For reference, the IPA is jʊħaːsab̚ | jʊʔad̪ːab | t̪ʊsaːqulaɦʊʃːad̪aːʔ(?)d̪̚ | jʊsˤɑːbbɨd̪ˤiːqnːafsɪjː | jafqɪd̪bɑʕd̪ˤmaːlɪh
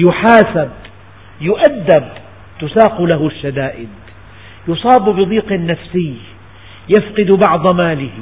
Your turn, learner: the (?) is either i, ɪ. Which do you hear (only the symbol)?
ɪ